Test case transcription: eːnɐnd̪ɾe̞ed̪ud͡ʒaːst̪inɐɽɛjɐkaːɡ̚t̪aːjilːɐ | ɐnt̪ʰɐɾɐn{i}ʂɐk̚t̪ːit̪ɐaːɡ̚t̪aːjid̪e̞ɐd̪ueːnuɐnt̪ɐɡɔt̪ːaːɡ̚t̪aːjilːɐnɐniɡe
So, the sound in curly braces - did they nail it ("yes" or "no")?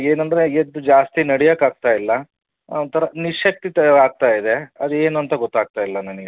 yes